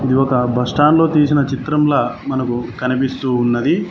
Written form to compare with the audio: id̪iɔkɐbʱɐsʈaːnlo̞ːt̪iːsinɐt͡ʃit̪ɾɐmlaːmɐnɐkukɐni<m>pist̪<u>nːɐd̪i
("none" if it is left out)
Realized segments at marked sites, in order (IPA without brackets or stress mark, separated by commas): none, uː